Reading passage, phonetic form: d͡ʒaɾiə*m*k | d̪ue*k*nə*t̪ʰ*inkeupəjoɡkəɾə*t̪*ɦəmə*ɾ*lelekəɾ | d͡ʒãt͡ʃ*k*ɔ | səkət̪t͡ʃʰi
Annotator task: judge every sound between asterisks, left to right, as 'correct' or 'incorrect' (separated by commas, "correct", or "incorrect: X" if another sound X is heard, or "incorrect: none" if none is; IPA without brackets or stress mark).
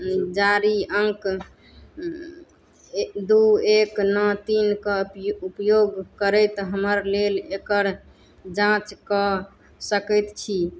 incorrect: ŋ, correct, incorrect: t̪, correct, correct, correct